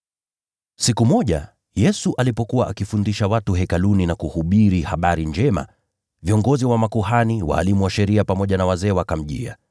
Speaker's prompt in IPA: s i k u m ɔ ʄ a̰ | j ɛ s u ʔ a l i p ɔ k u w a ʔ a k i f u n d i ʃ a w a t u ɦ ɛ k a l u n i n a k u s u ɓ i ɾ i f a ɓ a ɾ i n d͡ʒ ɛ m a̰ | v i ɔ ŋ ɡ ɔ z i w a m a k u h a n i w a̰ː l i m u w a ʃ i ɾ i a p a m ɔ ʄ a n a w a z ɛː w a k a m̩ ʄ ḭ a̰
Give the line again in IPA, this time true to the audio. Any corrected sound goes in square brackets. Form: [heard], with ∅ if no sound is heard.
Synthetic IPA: s i k u m ɔ ʄ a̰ | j ɛ s u ʔ a l i p ɔ k u w a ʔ a k i f u n d i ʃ a w a t u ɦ ɛ k a l u n i n a k u [h] u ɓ i ɾ i [h] a ɓ a ɾ i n d͡ʒ ɛ m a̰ | v i ɔ ŋ ɡ ɔ z i w a m a k u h a n i w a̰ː l i m u w a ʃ [ɛ] ɾ i a p a m ɔ ʄ a n a w a z ɛː w a k a m̩ ʄ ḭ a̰